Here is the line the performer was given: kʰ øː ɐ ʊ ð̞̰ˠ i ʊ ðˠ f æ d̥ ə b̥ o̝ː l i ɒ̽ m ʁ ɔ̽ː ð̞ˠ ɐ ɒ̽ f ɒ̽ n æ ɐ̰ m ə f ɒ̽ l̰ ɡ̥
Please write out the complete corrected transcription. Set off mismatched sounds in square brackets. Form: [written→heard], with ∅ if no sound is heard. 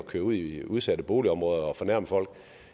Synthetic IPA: kʰ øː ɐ [ʊ→u] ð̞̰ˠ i [ʊ→u] ðˠ [f→s] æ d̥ ə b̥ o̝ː l i ɒ̽ m ʁ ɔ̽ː ð̞ˠ ɐ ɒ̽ f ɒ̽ n æ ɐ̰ m ə f ɒ̽ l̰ ɡ̥